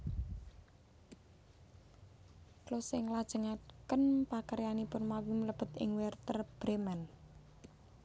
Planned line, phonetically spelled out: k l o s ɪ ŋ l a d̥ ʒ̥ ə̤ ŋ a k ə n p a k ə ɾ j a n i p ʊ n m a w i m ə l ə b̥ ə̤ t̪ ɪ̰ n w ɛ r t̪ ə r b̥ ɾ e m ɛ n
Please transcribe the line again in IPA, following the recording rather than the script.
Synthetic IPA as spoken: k l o s ɪ ŋ l a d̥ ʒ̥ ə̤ ŋ a k ə n p a k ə ɾ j a n i p ʊ n m a w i m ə l ə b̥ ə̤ t̪ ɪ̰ ŋ w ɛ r t̪ ə r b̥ ɾ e m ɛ n

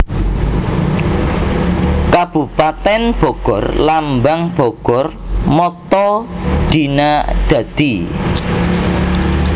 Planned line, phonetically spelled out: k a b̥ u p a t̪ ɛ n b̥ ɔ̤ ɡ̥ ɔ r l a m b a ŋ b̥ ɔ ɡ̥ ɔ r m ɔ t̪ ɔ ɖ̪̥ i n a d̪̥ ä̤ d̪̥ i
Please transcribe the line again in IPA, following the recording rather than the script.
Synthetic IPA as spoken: k a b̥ u p a t̪ ɛ n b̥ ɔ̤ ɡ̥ ɔ r l a m b a ŋ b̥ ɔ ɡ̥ ɔ r m ɔ t̪ ɔ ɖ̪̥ i n a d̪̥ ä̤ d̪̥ i

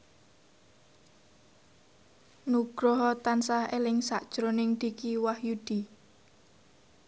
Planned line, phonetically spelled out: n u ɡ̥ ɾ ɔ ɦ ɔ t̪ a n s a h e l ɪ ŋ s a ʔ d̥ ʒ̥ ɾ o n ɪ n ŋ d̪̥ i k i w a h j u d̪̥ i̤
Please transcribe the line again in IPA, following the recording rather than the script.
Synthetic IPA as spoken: n u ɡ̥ ɾ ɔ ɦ ɔ t̪ a n s a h e l ɪ ŋ s a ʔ d̥ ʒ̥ ɾ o n ɪ ŋ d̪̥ i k i w a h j u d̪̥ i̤

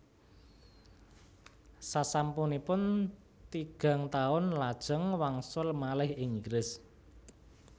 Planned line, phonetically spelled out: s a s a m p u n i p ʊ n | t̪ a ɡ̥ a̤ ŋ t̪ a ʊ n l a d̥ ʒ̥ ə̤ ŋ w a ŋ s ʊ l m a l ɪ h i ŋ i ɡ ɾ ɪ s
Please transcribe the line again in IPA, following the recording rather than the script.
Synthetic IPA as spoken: s a s a m p u n i p ʊ n | t̪ i ɡ̥ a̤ ŋ t̪ a ʊ n l a d̥ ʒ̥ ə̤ ŋ w a ŋ s ʊ l m a l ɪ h ɪ ŋ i ɡ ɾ ɪ s

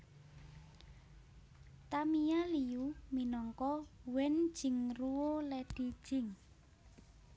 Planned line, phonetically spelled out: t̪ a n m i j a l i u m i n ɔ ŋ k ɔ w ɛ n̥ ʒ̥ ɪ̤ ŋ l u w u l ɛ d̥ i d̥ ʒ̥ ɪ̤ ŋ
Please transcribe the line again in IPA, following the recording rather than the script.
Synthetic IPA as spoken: t̪ a m i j a l i u m i n ɔ ŋ k ɔ w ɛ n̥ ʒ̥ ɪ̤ ŋ r u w o l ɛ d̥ i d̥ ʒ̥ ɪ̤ ŋ

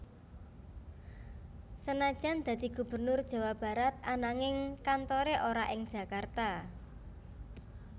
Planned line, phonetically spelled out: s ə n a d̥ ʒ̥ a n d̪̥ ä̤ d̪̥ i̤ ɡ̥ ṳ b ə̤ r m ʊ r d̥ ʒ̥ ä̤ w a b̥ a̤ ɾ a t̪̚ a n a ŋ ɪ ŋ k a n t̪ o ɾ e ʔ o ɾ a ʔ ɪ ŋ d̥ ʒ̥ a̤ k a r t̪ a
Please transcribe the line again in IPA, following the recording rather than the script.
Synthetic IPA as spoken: s ə n a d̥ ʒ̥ a n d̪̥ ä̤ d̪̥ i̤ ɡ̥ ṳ b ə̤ r n ʊ r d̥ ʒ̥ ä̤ w a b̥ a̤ ɾ a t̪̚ a n a ŋ ɪ ŋ k a n t̪ o ɾ e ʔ o ɾ a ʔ ɪ ŋ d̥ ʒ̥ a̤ k a r t̪ a

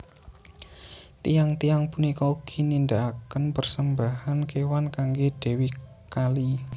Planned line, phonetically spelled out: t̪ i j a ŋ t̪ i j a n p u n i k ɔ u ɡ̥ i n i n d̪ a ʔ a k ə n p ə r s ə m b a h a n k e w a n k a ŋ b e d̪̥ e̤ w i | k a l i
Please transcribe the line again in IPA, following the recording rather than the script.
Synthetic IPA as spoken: t̪ i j a ŋ t̪ i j a ŋ p u n i k ɔ u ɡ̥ i n i n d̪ a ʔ a k ə n p ə r s ə m b a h a n k e w a n k a ŋ ɡ e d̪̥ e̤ w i | k a l i

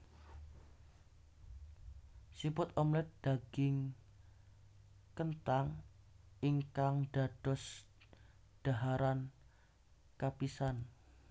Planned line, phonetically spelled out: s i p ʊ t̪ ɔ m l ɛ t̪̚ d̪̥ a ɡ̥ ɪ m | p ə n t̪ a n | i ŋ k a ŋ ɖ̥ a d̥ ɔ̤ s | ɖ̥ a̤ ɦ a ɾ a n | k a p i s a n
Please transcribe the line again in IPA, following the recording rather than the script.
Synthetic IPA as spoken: s i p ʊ t̪ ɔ m l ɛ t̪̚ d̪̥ a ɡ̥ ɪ ŋ | k ə n t̪ a ŋ | i ŋ k a ŋ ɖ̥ a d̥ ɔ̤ s | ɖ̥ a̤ ɦ a ɾ a n | k a p i s a n

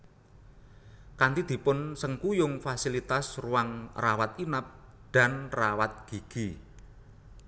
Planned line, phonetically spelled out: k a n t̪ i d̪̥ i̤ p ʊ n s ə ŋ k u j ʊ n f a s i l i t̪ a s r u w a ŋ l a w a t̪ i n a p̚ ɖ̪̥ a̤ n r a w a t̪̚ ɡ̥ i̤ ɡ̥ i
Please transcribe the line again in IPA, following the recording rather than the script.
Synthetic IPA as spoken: k a n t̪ i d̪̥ i̤ p ʊ n s ə ŋ k u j ʊ ŋ f a s i l i t̪ a s r u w a ŋ r a w a t̪ i n a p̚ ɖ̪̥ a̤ n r a w a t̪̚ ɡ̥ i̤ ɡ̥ i

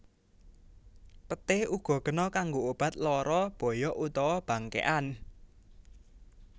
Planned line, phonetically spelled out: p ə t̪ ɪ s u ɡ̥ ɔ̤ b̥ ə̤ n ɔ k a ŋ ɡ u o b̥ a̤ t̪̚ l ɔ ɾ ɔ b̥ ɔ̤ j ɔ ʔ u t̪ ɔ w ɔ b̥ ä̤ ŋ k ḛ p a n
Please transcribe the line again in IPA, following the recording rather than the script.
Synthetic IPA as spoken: p ə t̪ ɪ h u ɡ̥ ɔ̤ ɡ̥ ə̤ n ɔ k a ŋ ɡ o o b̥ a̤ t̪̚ l ɔ ɾ ɔ b̥ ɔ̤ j ɔ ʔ u t̪ ɔ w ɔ b̥ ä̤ ŋ k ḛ ʔ a n

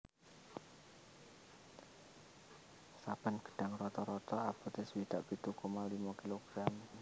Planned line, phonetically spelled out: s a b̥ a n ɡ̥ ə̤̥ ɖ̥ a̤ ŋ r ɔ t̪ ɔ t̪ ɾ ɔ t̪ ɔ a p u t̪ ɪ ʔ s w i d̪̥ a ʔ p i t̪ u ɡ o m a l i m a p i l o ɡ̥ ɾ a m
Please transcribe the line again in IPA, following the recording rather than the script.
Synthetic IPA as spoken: s a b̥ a n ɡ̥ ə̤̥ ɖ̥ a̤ ŋ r ɔ t̪ ɔ ɾ ɔ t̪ ɔ a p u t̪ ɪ s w i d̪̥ a ʔ p i t̪ u k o m a l i m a k i l o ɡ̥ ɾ a m

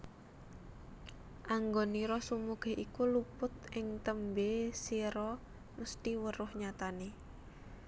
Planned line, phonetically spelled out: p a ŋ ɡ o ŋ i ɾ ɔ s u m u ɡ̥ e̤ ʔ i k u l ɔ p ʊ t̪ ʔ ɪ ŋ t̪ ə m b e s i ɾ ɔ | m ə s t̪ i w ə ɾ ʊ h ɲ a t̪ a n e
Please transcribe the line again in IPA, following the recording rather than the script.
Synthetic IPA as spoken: ʔ a ŋ ɡ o n i ɾ ɔ s u m u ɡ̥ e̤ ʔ i k u l u p ʊ t̪ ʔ ɪ ŋ t̪ ə m b e s i ɾ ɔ | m ə s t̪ i w ə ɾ ʊ h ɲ a t̪ a n e

